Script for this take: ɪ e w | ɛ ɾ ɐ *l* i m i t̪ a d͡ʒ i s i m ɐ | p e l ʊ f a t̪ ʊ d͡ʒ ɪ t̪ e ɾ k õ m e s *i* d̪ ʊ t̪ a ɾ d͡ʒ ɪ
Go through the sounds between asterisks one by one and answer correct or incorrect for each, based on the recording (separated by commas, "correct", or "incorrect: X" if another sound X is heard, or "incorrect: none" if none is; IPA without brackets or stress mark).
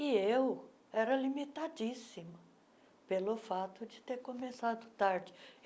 correct, incorrect: a